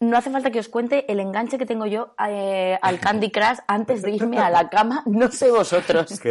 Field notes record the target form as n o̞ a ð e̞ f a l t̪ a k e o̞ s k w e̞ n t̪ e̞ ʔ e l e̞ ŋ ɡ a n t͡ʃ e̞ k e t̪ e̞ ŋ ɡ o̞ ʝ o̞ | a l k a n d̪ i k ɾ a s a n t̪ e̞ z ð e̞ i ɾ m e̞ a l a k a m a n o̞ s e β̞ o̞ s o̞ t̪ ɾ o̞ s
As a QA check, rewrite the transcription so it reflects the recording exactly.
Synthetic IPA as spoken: n o̞ a θ e̞ f a l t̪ a k e o̞ s k w e̞ n t̪ e̞ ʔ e l e̞ ŋ ɡ a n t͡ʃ e̞ k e t̪ e̞ ŋ ɡ o̞ ʝ o̞ | a l k a n d̪ i k ɾ a s a n t̪ e̞ z ð e̞ i ɾ m e̞ a l a k a m a n o̞ s e β̞ o̞ s o̞ t̪ ɾ o̞ s